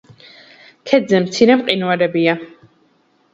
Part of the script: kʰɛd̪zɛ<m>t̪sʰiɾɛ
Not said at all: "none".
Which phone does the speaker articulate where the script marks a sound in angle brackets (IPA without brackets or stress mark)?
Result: m